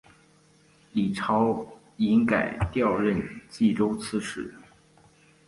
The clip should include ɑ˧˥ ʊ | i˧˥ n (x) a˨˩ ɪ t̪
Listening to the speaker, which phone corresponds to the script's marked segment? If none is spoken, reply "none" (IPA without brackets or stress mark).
k